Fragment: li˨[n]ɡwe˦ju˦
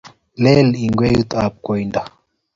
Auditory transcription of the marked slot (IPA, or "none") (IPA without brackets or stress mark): ŋ